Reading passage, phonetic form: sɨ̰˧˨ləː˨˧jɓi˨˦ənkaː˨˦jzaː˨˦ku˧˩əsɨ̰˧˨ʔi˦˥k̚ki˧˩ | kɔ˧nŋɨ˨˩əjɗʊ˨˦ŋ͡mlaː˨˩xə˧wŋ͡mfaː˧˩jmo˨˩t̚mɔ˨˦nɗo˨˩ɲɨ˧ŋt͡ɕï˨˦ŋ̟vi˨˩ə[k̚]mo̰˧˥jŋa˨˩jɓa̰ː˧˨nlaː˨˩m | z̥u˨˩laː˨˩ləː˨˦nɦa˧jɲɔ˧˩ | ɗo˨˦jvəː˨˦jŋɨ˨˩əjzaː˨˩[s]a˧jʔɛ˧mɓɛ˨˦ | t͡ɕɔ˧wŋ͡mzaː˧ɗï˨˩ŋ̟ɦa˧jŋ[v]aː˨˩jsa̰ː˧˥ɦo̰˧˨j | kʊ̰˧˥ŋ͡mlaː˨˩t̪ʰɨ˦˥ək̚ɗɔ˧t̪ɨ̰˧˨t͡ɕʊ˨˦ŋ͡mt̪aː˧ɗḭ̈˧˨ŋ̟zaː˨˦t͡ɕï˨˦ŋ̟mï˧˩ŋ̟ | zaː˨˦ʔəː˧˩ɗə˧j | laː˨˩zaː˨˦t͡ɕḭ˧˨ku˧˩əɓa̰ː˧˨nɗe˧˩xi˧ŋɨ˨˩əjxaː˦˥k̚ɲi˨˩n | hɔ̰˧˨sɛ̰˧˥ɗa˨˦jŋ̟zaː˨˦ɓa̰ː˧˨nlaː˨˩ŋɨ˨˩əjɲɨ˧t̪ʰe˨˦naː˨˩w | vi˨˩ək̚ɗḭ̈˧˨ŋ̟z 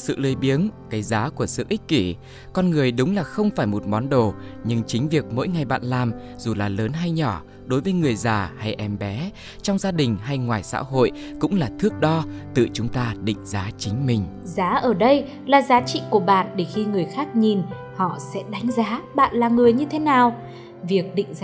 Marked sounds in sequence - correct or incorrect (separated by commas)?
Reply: correct, incorrect, incorrect